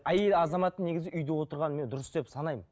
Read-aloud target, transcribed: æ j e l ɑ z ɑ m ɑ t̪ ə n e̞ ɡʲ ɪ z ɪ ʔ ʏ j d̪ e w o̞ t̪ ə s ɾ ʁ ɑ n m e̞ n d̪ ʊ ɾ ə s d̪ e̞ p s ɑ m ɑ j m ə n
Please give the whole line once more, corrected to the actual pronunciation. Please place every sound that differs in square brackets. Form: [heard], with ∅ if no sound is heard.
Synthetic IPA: æ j e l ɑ z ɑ m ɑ t̪ ə n e̞ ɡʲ ɪ z ɪ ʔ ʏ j d̪ e w o̞ t̪ ə [∅] ɾ ʁ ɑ n m e̞ n d̪ ʊ ɾ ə s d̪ e̞ p s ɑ [n] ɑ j m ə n

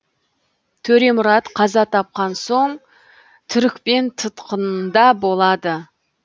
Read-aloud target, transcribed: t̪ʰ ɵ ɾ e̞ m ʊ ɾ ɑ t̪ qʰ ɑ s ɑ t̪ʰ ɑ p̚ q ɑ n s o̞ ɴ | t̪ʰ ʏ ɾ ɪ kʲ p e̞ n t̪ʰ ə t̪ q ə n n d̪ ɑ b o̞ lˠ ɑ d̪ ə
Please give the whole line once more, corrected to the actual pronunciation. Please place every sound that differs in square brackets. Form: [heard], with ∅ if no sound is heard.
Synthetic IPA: t̪ʰ ɵ ɾ e̞ m ʊ ɾ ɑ t̪ qʰ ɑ [z] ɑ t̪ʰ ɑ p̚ q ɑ n s o̞ ɴ | t̪ʰ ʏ ɾ ɪ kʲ p e̞ n t̪ʰ ə t̪ q ə n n d̪ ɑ b o̞ lˠ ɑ d̪ ə

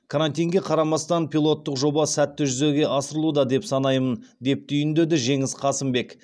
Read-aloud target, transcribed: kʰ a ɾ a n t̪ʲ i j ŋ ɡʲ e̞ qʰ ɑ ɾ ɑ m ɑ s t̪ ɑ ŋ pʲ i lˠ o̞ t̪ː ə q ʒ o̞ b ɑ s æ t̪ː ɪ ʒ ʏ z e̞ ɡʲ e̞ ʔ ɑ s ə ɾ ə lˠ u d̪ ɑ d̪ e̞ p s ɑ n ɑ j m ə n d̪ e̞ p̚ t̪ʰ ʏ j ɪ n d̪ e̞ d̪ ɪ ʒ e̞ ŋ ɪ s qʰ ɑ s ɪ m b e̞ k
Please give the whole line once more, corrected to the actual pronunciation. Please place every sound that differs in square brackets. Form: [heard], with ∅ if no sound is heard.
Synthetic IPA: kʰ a ɾ a n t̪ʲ i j ŋ ɡʲ e̞ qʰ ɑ ɾ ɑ m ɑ s t̪ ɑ [n] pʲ i lˠ o̞ t̪ː ə q ʒ o̞ b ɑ s æ t̪ː ɪ ʒ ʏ z e̞ ɡʲ e̞ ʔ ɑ s ə ɾ ə lˠ u d̪ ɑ d̪ e̞ p s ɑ n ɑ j m ə n d̪ e̞ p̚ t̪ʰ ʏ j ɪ n d̪ e̞ d̪ ɪ ʒ e̞ ŋ ɪ s qʰ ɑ s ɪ m b e̞ k

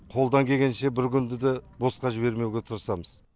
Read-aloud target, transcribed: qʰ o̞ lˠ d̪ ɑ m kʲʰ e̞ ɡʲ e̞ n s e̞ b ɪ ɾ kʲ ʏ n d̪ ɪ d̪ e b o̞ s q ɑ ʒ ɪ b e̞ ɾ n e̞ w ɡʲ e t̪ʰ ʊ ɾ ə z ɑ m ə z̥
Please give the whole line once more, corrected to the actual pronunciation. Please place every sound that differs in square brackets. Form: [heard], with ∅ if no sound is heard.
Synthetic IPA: qʰ o̞ lˠ d̪ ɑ [ŋ] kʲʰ e̞ ɡʲ e̞ n [ʃ] e̞ b ɪ ɾ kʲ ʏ n d̪ ɪ d̪ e b o̞ s q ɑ ʒ ɪ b e̞ ɾ [m] e̞ w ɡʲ e t̪ʰ ʊ ɾ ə [s] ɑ m ə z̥

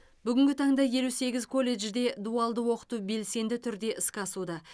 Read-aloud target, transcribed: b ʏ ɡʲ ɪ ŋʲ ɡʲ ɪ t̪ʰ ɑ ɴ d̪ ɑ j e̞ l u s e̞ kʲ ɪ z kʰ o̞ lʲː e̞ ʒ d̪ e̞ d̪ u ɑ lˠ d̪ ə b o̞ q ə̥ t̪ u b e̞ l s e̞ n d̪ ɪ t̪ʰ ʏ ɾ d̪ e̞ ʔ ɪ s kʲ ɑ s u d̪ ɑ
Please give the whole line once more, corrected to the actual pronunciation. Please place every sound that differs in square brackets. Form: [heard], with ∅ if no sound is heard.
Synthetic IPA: b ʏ ɡʲ ɪ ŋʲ ɡʲ ɪ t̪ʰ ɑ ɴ d̪ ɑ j e̞ l u s e̞ [ɡʲ] ɪ z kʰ o̞ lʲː e̞ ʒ d̪ e̞ d̪ u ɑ lˠ d̪ ə [w] o̞ q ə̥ t̪ u b e̞ l s e̞ n d̪ ɪ t̪ʰ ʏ ɾ d̪ e̞ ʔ ɪ s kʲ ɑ s u d̪ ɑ

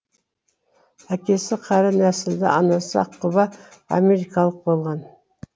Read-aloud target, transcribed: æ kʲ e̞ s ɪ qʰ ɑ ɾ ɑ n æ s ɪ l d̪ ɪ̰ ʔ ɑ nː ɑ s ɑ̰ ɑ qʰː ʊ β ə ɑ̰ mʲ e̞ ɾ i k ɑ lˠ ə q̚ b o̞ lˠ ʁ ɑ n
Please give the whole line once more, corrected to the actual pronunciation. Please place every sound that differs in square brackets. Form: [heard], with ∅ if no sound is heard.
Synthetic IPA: æ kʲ e̞ s ɪ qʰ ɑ ɾ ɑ n æ s ɪ l d̪ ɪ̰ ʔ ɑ [n] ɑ s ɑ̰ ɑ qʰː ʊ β [ɑ] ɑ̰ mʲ e̞ ɾ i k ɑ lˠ ə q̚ b o̞ lˠ ʁ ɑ n

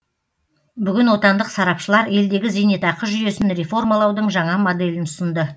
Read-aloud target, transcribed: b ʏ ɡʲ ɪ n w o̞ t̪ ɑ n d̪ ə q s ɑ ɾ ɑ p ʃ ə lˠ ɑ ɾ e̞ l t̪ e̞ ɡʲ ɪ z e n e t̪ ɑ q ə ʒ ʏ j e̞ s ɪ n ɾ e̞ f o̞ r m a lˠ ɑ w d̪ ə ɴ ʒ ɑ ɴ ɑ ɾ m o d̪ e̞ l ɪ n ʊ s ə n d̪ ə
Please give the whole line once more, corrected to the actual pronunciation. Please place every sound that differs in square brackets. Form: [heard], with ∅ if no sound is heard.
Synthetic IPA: b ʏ ɡʲ ɪ n w o̞ t̪ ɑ n d̪ ə q s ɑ ɾ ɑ p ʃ ə lˠ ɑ ɾ e̞ l [d̪] e̞ ɡʲ ɪ z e n e t̪ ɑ q ə ʒ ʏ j e̞ s ɪ n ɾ e̞ f o̞ r m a lˠ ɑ w d̪ ə ɴ ʒ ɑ ɴ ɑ [∅] m o d̪ e̞ l ɪ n ʊ s ə n d̪ ə

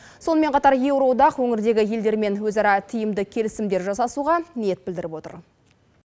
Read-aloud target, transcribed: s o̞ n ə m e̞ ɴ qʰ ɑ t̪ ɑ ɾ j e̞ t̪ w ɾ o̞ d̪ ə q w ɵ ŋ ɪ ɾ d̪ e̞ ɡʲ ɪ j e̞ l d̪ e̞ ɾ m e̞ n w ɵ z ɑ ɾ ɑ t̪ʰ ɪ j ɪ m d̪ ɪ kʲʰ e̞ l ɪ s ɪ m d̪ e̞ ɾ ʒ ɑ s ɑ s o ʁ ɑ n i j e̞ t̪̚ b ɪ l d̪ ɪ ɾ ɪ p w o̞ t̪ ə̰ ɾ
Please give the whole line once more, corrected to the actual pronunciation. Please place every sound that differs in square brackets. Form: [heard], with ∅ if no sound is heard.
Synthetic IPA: s o̞ n ə m e̞ ɴ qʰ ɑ t̪ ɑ ɾ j e̞ [∅] w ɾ o̞ d̪ [ɑ] q w ɵ ŋ ɪ ɾ d̪ e̞ ɡʲ ɪ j e̞ l d̪ e̞ ɾ m e̞ n w ɵ z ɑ ɾ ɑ t̪ʰ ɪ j ɪ m d̪ ɪ kʲʰ e̞ l ɪ s ɪ m d̪ e̞ ɾ ʒ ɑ s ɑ s [u] ʁ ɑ n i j e̞ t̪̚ b ɪ l d̪ ɪ ɾ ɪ p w o̞ t̪ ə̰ ɾ

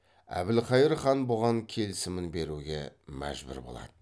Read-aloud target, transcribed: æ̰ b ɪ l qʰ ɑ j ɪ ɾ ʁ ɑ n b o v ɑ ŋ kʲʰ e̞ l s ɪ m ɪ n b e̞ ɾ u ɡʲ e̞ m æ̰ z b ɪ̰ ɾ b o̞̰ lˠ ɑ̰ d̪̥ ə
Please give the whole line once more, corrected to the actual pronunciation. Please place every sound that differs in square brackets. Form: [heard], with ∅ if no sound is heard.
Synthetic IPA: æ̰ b ɪ l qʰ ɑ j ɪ ɾ [χ] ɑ n b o [ʁ] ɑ ŋ kʲʰ e̞ l s ɪ m ɪ n b e̞ ɾ u ɡʲ e̞ m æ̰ [ʒ] b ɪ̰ ɾ b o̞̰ lˠ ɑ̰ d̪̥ ə

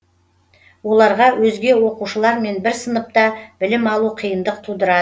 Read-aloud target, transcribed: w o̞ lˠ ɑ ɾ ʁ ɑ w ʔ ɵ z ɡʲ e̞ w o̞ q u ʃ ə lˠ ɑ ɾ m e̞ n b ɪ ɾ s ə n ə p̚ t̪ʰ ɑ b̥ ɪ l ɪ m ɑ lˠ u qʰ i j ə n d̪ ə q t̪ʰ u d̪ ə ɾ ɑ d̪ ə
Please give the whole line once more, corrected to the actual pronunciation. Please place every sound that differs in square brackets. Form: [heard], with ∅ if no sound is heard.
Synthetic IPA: w o̞ lˠ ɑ ɾ ʁ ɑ w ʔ ɵ z ɡʲ e̞ w o̞ q u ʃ ə lˠ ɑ ɾ m e̞ n b ɪ ɾ s ə n ə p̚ [t̪] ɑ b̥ ɪ l ɪ m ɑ lˠ u qʰ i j ə n d̪ ə q t̪ʰ u d̪ ə ɾ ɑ d̪ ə

